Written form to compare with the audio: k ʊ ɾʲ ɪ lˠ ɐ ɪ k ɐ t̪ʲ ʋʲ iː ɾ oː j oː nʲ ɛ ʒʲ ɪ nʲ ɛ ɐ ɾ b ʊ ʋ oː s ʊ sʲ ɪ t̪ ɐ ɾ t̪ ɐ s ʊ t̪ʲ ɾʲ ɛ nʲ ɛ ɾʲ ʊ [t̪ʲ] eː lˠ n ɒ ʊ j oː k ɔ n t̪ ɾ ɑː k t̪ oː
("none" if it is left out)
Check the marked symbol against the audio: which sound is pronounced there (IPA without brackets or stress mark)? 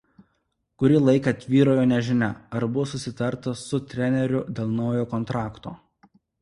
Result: d̪ʲ